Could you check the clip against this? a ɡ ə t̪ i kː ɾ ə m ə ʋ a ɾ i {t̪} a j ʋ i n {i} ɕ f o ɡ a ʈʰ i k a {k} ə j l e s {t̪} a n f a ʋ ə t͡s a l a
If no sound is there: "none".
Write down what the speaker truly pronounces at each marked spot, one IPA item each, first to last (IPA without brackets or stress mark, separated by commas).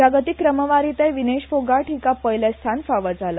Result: t̪, e, p, t̪ʰ